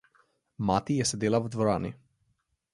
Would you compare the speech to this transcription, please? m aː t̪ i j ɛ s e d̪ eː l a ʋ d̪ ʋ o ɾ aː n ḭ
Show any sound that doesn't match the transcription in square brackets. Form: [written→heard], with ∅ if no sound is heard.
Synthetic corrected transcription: m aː t̪ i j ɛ s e d̪ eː l a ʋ d̪ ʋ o ɾ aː n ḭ